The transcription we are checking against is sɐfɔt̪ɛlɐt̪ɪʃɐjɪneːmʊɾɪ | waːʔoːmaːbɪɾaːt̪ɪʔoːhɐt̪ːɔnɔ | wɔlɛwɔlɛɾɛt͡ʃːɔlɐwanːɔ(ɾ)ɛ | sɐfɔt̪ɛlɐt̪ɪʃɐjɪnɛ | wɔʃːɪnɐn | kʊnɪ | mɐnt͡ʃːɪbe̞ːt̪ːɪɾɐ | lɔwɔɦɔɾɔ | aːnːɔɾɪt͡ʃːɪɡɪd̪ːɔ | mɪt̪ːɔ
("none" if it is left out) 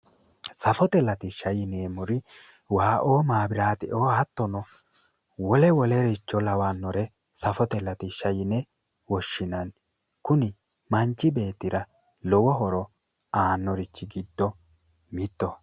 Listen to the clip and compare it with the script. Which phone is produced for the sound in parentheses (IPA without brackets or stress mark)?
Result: ɾ